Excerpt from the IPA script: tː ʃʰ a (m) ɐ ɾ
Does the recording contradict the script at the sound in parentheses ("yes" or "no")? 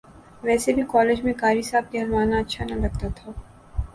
yes